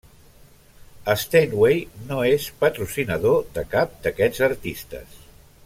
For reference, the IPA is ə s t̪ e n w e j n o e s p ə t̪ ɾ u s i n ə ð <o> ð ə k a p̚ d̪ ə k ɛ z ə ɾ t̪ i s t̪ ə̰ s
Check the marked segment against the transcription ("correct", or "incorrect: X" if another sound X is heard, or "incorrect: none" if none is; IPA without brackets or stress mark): correct